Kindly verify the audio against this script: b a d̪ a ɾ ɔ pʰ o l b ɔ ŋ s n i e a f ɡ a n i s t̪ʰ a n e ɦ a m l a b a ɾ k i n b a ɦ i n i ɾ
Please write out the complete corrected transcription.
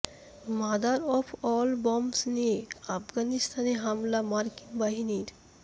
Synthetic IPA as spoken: m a d̪ a ɾ ɔ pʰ ɔ l b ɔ m s n i e a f ɡ a n i s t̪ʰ a n e ɦ a m l a m a ɾ k i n b a ɦ i n i ɾ